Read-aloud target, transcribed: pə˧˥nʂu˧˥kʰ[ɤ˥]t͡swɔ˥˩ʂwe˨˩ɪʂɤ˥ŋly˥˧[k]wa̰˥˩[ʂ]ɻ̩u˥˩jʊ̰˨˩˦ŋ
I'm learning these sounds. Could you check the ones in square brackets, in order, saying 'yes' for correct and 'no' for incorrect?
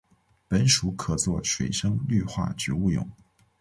no, no, no

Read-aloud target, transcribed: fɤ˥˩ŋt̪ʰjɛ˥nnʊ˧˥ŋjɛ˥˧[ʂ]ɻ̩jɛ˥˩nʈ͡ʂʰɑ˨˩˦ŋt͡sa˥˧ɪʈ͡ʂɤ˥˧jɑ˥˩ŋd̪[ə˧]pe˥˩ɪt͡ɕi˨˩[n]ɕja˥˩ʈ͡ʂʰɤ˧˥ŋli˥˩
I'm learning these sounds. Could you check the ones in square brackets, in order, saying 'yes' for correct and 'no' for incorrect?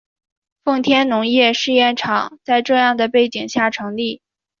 yes, no, no

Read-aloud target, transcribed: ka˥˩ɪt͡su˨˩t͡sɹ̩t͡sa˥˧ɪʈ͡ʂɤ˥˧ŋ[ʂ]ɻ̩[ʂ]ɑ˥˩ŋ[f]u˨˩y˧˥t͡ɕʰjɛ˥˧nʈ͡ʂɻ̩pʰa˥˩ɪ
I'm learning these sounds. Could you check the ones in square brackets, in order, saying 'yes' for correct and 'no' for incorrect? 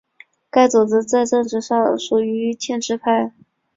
no, yes, no

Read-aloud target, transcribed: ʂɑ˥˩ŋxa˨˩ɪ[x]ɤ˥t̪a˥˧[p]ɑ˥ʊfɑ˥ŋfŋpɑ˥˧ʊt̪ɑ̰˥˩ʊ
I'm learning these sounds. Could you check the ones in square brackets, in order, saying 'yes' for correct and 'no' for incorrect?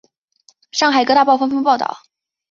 no, yes

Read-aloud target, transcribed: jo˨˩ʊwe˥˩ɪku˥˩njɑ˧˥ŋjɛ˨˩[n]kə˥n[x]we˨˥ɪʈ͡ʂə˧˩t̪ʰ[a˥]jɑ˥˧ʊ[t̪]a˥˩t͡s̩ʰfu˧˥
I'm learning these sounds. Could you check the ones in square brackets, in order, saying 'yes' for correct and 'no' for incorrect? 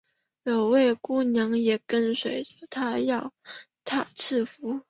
no, no, yes, no

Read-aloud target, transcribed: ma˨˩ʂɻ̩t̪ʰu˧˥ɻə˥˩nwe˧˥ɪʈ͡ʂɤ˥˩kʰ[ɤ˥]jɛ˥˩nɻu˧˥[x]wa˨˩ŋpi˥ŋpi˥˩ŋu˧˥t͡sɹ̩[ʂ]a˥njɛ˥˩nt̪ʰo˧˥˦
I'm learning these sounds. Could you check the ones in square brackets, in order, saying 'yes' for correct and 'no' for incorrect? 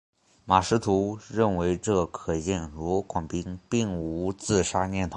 no, no, yes

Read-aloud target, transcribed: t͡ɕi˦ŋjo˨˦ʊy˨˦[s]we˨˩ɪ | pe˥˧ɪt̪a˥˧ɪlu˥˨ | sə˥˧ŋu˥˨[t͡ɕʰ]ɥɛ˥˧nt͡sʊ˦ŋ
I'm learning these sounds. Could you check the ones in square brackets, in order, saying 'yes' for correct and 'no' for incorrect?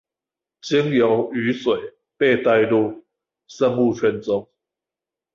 yes, yes

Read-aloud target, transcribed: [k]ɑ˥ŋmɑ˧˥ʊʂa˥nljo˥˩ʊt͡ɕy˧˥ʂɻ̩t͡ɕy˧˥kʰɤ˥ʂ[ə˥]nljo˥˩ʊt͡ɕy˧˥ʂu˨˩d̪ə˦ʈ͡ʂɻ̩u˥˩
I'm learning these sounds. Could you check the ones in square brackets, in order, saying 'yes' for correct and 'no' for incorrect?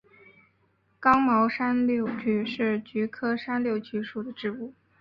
yes, no

